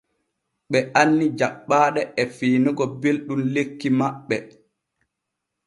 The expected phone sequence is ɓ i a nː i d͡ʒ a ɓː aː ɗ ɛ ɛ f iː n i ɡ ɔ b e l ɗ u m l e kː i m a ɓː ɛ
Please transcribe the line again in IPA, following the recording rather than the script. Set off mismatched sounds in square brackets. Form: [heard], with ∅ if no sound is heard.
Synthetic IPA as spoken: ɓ [ɛ] a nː i d͡ʒ a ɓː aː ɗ ɛ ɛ f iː n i ɡ ɔ b e l ɗ u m l e kː i m a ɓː ɛ